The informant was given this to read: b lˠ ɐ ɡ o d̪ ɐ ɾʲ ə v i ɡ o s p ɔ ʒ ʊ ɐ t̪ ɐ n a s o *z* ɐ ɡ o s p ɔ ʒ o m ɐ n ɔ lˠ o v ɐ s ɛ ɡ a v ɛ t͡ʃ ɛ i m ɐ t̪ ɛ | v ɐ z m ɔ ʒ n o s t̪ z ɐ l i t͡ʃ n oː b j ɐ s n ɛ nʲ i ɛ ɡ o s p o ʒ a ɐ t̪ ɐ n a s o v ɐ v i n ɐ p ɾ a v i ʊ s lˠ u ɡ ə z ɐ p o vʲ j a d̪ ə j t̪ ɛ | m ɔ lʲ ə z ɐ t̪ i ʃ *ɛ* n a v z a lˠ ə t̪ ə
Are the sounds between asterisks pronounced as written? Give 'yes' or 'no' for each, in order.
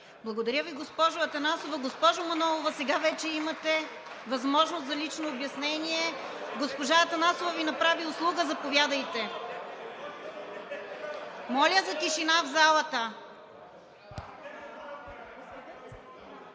no, no

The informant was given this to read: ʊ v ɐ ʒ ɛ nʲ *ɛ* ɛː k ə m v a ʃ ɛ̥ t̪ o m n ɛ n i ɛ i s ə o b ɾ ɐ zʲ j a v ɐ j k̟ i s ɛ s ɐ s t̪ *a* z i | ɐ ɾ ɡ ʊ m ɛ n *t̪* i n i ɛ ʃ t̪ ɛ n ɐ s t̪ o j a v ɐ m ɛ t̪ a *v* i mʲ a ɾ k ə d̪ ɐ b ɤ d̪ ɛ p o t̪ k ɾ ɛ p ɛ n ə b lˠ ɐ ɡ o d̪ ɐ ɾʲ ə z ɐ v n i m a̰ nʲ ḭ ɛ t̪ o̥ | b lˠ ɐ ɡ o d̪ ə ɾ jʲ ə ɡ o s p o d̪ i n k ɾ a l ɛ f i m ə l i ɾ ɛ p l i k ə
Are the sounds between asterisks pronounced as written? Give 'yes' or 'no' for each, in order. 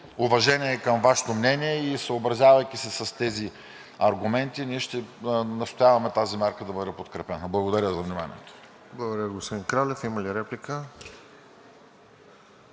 no, no, yes, no

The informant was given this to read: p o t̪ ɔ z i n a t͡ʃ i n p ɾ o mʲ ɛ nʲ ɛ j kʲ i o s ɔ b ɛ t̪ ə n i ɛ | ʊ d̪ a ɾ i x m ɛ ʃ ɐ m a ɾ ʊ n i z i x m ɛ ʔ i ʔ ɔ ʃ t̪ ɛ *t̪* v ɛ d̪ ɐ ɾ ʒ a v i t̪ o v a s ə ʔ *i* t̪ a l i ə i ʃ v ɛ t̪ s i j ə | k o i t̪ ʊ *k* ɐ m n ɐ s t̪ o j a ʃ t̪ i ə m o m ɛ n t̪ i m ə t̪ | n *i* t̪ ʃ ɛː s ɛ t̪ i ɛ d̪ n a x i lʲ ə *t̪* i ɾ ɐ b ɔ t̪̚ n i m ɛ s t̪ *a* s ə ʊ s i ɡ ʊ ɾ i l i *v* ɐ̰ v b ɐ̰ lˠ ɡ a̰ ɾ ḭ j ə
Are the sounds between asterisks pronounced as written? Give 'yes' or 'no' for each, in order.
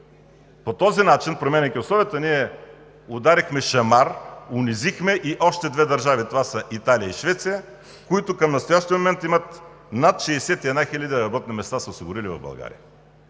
no, yes, yes, no, no, yes, yes

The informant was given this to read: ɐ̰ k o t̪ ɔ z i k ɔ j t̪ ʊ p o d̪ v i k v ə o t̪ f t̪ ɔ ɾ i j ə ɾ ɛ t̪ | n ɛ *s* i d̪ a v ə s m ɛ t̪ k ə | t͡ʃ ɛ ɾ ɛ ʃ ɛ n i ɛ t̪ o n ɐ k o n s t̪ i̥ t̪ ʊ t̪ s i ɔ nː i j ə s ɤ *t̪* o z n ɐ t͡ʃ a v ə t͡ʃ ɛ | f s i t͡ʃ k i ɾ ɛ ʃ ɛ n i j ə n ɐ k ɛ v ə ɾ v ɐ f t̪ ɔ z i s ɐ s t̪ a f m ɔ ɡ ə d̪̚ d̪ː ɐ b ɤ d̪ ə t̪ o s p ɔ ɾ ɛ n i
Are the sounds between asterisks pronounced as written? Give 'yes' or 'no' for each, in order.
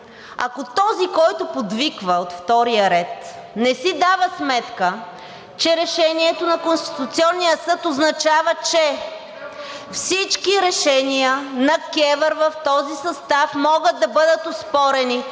yes, yes

